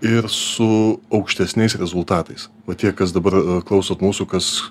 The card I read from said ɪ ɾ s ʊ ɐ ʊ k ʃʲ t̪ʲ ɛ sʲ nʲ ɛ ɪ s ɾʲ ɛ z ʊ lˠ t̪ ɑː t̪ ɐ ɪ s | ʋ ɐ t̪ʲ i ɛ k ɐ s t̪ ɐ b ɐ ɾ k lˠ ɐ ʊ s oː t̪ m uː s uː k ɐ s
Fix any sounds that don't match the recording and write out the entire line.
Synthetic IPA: ɪ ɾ s ʊ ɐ ʊ k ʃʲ t̪ʲ ɛ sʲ nʲ ɛ ɪ s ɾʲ ɛ z ʊ lˠ t̪ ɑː t̪ ɐ ɪ s | ʋ ɐ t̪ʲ i ɛ k ɐ s d̪ ɐ b ɐ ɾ k lˠ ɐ ʊ s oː t̪ m uː s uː k ɐ s